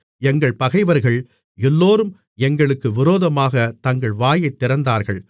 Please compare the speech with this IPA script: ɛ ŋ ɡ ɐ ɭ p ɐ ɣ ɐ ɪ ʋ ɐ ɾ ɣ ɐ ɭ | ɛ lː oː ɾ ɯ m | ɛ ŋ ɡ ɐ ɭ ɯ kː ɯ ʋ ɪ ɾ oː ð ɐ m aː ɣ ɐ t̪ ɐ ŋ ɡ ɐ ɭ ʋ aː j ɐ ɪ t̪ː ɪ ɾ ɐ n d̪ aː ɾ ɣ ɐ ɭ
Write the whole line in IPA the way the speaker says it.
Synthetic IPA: ɛ ŋ ɡ ɐ ɭ p ɐ ɣ ɐ ɪ ʋ ɐ ɾ ɣ ɐ ɭ | ɛ lː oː ɾ ɯ m | ɛ ŋ ɡ ɐ ɭ ɯ kː ɯ ʋ ɪ ɾ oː ð ɐ m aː ɣ ɐ t̪ ɐ ŋ ɡ ɐ ɭ ʋ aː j ɐ ɪ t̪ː ɪ ɾ ɐ n d̪ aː ɾ ɣ ɐ ɭ

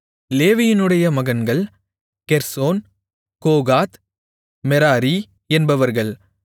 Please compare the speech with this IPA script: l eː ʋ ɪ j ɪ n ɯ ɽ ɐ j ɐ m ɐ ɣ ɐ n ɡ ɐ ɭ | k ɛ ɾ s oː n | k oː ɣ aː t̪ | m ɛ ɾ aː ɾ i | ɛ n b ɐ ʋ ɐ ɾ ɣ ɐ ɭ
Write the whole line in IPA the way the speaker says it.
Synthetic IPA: l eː ʋ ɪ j ɪ n ɯ ɽ ɐ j ɐ m ɐ ɣ ɐ n ɡ ɐ ɭ | k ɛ ɾ s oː n | k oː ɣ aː t̪ | m ɛ ɾ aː ɾ i | ɛ n b ɐ ʋ ɐ ɾ ɣ ɐ ɭ

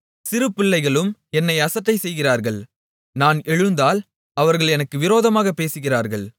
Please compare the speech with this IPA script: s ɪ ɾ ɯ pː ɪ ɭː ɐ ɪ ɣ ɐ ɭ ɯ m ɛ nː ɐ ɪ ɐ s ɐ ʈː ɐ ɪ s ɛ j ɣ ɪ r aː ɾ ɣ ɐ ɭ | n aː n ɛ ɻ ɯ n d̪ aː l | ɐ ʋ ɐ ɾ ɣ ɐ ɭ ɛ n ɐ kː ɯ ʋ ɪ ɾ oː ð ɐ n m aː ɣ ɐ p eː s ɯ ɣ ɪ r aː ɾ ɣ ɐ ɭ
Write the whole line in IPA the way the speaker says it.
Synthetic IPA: s ɪ ɾ ɯ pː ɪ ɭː ɐ ɪ ɣ ɐ ɭ ɯ m ɛ nː ɐ ɪ ɐ s ɐ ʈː ɐ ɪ s ɛ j ɣ ɪ r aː ɾ ɣ ɐ ɭ | n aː n ɛ ɻ ɯ n d̪ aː l | ɐ ʋ ɐ ɾ ɣ ɐ ɭ ɛ n ɐ kː ɯ ʋ ɪ ɾ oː ð ɐ m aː ɣ ɐ p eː s ɯ ɣ ɪ r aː ɾ ɣ ɐ ɭ

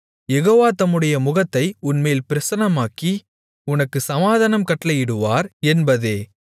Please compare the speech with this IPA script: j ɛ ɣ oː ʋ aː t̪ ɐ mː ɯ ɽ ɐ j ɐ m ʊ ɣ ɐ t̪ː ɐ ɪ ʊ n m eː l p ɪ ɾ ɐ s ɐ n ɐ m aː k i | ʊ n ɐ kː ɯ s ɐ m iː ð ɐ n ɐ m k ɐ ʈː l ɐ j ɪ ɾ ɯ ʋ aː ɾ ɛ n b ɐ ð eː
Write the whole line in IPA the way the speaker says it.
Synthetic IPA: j ɛ ɣ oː ʋ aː t̪ ɐ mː ɯ ɽ ɐ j ɐ m ʊ ɣ ɐ t̪ː ɐ ɪ ʊ n m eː l p ɪ ɾ ɐ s ɐ n ɐ m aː k i | ʊ n ɐ kː ɯ s ɐ m aː ð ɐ n ɐ m k ɐ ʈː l ɐ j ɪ ɽ ɯ ʋ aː ɾ ɛ n b ɐ ð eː

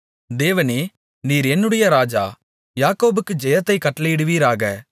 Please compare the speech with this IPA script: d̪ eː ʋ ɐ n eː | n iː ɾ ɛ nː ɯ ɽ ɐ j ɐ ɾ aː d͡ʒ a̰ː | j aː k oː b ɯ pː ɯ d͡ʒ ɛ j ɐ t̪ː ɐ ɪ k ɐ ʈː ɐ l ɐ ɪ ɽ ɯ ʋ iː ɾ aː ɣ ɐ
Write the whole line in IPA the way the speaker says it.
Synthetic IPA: d̪ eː ʋ ɐ n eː | n iː ɾ ɛ nː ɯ ɽ ɐ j ɐ ɾ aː d͡ʒ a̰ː | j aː k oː b ɯ kː ɯ d͡ʒ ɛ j ɐ t̪ː ɐ ɪ k ɐ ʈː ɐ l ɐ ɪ ɽ ɯ ʋ iː ɾ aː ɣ ɐ

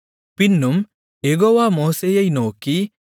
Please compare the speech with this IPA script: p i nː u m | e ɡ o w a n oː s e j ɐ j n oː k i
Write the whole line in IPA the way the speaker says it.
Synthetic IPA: p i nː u m | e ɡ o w a m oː s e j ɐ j n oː k i

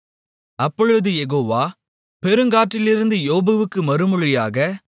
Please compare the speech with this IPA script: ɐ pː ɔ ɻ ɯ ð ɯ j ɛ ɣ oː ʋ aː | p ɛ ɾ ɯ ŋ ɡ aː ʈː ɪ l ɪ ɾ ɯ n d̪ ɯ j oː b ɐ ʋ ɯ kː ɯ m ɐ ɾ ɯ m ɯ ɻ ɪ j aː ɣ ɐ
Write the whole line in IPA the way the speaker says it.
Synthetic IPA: ɐ pː ɔ ɻ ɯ ð ɯ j ɛ ɣ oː ʋ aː | p ɛ ɾ ɯ ŋ ɡ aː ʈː ɪ l ɪ ɾ ɯ n d̪ ɯ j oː b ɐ ʋ ɯ kː ɯ m ɐ ɾ ɯ m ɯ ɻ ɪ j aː ɣ ɐ

